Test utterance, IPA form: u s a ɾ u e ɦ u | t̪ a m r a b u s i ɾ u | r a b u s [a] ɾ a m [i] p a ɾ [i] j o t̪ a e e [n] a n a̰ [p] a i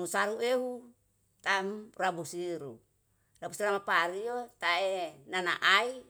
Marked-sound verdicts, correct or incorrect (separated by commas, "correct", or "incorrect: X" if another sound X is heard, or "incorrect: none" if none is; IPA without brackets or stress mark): incorrect: i, incorrect: a, correct, correct, incorrect: ʔ